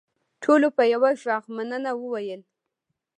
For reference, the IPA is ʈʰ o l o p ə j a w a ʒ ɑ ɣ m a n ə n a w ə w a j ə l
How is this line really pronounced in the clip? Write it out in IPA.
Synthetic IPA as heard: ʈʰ o l o p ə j a w a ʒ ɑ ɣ m a n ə n a w ə w a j ə l